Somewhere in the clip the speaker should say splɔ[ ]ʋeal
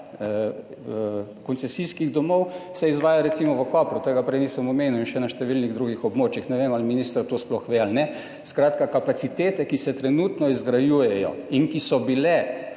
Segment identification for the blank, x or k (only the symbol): x